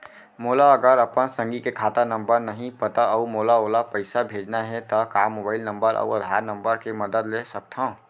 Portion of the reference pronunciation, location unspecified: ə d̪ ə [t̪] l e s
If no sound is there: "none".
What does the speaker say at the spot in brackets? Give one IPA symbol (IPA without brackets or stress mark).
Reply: d̪